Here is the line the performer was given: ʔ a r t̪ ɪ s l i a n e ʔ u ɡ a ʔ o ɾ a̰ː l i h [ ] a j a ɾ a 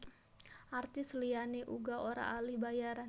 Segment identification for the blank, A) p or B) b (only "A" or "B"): B